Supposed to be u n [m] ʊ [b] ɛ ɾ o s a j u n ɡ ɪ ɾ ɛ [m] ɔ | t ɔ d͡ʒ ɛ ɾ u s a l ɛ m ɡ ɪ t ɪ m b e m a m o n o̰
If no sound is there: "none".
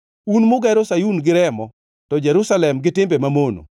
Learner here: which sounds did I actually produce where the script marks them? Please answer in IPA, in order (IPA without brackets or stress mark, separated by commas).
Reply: m, ɡ, m